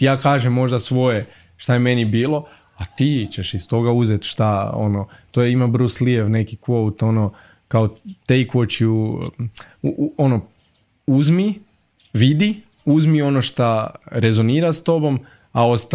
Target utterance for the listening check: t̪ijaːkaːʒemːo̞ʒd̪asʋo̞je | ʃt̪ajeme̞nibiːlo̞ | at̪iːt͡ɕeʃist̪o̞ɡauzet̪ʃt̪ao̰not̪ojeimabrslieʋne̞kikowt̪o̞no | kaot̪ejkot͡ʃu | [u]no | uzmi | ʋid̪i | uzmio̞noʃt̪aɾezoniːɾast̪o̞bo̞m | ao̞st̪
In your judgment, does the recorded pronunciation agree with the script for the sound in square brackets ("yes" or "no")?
no